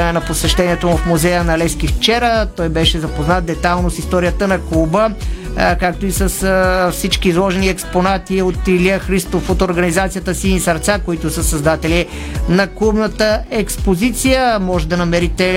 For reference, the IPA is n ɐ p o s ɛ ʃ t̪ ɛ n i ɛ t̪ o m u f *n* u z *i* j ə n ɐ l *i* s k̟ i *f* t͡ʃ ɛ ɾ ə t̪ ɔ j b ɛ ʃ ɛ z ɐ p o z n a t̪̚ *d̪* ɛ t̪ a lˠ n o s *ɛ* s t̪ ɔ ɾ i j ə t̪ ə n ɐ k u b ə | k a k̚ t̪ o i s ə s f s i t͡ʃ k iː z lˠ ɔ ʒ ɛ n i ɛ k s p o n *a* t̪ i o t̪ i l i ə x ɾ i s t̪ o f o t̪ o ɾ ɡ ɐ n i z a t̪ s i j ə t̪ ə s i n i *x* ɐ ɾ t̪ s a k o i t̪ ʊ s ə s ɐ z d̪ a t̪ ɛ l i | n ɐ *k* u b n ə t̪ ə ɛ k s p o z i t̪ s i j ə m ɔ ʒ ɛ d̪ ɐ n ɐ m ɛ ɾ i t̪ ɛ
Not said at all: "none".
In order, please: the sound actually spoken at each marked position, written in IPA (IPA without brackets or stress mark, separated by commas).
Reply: m, ɛ, ɛ, f, d̪, i, a, s, k